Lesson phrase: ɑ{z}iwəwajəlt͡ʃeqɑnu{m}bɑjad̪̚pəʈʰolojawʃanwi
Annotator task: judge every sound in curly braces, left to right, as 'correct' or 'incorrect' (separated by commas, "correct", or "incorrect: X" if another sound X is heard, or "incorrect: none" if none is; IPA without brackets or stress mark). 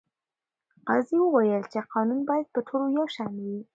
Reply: correct, incorrect: n